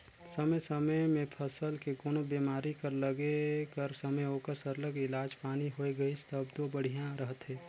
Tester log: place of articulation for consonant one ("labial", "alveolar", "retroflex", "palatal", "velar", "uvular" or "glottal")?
alveolar